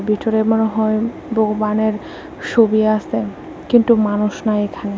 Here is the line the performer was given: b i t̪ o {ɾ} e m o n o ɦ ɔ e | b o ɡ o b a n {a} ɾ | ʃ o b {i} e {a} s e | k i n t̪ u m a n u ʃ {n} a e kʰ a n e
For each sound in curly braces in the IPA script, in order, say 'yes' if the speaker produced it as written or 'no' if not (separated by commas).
yes, no, yes, yes, yes